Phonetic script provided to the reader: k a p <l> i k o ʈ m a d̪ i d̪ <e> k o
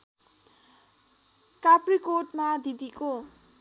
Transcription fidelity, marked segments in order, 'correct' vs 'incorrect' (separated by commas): incorrect, incorrect